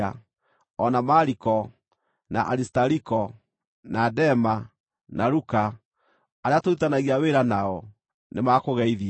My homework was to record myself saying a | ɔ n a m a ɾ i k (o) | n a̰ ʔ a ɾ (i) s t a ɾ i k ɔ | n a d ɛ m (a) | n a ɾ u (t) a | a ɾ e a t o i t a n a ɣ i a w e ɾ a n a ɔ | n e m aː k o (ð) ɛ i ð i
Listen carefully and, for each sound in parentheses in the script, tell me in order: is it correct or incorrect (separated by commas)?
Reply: incorrect, correct, correct, incorrect, incorrect